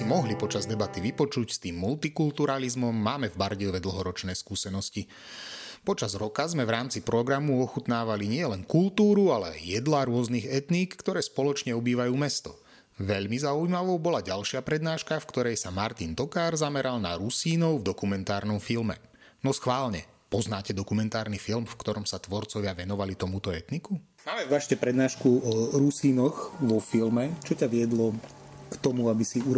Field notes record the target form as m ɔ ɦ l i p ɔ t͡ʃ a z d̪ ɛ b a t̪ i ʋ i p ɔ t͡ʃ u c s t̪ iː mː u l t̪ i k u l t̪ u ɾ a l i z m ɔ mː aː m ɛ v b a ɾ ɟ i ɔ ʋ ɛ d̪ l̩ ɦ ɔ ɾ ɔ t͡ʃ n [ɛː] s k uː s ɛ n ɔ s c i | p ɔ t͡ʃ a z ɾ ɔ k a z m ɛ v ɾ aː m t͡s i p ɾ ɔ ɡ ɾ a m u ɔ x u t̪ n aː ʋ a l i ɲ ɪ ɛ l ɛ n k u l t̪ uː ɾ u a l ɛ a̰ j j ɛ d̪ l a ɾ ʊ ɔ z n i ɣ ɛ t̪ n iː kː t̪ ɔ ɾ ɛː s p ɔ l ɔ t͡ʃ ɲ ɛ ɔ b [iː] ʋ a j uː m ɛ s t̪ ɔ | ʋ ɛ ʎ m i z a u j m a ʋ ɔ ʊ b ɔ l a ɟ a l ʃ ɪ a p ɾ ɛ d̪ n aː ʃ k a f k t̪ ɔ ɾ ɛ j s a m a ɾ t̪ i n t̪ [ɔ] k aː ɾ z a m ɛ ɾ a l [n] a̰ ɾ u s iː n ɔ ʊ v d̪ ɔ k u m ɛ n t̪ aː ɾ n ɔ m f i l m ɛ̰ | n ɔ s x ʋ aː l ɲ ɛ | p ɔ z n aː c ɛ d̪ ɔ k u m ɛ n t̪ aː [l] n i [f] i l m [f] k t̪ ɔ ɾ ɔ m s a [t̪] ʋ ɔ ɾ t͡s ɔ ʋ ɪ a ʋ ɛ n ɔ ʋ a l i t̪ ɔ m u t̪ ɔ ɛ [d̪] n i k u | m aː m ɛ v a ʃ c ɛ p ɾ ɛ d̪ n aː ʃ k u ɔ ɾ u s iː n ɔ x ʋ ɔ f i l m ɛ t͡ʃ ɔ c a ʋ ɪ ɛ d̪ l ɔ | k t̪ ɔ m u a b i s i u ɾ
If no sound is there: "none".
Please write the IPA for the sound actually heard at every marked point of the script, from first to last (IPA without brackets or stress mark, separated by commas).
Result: ɛː, iː, ɔ, n, ɾ, f, f, t̪, t̪